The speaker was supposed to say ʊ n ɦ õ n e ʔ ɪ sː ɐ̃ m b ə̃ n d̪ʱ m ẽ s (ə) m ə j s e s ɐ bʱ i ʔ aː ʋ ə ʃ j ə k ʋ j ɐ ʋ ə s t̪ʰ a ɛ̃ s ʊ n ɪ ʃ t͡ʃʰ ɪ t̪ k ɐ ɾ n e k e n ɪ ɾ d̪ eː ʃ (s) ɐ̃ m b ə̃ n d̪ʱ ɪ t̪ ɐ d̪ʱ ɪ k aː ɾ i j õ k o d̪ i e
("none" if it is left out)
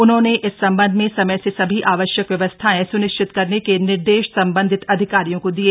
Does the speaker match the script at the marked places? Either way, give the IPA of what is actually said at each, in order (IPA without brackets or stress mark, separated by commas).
ɐ, s